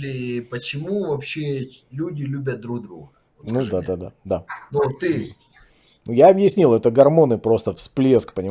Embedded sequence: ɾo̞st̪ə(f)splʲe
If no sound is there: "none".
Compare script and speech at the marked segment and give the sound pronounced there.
f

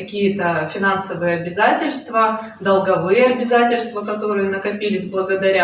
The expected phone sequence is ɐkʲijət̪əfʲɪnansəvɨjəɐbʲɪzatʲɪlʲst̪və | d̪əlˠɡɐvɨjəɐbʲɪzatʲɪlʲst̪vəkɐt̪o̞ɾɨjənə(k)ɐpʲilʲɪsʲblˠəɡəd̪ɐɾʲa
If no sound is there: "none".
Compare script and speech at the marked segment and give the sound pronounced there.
k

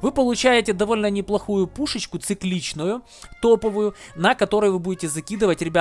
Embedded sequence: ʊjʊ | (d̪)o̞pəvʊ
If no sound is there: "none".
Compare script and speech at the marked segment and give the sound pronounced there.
t̪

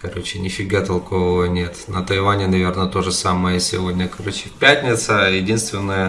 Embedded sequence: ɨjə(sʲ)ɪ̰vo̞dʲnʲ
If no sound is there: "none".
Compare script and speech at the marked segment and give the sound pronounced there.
sʲ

